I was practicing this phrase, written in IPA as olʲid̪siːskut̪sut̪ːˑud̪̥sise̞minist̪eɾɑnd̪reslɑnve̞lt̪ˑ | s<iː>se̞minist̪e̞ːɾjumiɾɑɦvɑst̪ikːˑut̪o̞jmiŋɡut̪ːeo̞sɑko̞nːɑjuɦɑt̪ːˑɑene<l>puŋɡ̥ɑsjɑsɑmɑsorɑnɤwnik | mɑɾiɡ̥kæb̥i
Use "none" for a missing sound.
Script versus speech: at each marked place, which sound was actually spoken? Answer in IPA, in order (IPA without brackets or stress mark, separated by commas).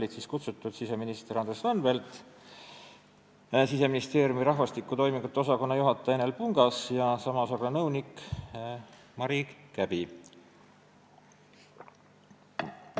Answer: i, l